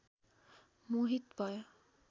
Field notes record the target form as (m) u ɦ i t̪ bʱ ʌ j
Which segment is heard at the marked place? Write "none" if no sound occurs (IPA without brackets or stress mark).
m